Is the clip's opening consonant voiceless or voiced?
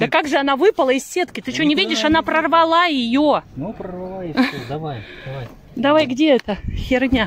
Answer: voiced